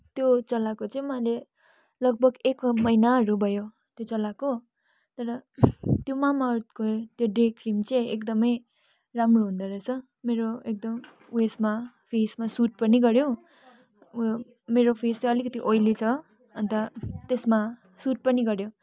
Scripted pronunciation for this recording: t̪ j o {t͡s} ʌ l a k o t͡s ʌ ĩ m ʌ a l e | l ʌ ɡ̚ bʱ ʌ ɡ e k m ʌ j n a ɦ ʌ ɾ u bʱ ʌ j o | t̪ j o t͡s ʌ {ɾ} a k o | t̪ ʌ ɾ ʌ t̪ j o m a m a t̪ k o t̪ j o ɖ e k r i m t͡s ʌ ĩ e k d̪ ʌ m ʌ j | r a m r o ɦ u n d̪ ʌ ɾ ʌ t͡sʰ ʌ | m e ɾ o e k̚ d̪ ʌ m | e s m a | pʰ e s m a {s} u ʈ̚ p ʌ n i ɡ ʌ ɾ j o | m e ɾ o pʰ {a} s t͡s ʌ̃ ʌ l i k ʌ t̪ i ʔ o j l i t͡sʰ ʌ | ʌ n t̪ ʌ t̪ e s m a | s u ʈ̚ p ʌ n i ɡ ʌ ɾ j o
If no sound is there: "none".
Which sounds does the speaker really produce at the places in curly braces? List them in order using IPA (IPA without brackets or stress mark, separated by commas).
t͡s, l, s, e